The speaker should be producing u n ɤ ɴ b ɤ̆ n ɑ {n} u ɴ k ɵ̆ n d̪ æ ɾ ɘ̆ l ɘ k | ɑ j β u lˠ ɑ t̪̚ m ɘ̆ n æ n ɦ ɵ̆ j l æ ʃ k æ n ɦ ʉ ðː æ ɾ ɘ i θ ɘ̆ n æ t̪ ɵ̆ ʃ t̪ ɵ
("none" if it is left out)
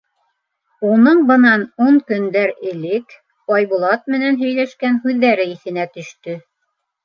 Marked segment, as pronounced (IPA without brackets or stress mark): n